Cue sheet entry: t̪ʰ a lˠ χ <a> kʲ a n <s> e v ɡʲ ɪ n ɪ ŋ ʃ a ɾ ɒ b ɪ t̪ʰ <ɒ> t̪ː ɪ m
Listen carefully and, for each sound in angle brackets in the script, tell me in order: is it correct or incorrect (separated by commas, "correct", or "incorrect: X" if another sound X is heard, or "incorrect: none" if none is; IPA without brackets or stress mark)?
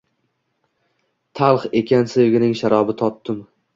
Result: incorrect: e, correct, correct